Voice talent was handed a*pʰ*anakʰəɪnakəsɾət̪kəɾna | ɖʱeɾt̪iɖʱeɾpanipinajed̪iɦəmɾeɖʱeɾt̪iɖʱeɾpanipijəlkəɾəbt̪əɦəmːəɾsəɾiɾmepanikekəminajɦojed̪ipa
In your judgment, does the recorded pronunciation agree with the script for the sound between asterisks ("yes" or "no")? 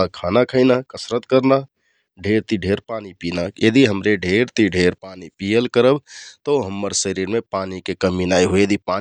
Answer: no